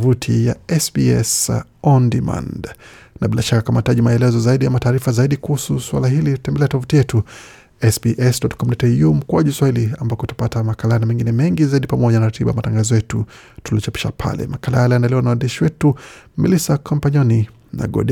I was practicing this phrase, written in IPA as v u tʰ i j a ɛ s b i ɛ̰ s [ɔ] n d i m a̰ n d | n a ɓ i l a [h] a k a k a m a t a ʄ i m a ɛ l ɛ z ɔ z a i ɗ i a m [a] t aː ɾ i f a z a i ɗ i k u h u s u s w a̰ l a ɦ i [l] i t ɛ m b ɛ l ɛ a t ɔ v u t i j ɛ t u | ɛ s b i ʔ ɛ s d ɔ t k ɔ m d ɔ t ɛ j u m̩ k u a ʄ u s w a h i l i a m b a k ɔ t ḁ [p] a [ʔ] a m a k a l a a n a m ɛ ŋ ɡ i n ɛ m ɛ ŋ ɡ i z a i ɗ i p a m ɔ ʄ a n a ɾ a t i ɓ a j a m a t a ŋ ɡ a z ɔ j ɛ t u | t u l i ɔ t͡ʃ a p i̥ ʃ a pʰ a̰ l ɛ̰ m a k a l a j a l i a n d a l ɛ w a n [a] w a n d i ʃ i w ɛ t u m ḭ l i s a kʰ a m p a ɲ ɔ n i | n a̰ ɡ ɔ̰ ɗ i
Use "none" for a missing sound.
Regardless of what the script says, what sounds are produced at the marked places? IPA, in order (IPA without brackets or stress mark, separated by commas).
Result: ɔ, ʃ, a, l, p, t, a